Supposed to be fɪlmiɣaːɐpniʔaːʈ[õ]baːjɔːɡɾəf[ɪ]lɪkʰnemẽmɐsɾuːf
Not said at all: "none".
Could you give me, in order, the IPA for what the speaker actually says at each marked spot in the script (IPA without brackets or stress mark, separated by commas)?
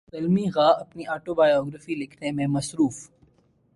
o, i